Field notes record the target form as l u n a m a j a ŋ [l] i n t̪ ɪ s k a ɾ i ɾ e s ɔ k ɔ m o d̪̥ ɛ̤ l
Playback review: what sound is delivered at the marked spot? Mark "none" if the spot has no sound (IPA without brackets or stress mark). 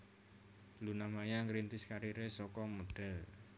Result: ɾ